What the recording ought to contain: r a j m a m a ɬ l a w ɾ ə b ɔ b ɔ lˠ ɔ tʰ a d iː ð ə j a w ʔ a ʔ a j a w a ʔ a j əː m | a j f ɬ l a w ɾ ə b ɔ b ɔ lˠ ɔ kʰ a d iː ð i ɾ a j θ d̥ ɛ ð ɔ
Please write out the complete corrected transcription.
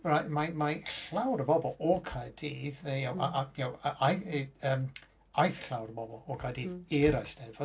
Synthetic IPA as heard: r a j m a m a ɬ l a w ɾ ə b ɔ b ɔ lˠ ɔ kʰ a d iː ð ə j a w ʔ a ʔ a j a w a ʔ a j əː m | a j θ ɬ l a w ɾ ə b ɔ b ɔ lˠ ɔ kʰ a d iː ð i ɾ a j s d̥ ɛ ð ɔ